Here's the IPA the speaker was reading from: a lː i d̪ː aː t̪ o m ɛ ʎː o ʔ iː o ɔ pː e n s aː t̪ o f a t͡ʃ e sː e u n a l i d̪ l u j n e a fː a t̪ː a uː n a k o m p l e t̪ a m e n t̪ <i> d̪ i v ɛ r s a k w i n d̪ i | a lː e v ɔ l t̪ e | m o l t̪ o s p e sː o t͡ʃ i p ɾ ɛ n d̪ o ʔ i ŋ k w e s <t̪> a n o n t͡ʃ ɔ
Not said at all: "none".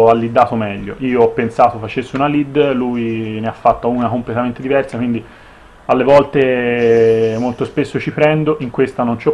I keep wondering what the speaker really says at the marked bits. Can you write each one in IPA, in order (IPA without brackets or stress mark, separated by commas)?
e, t̪